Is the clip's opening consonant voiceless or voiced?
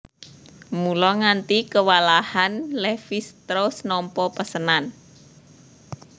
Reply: voiced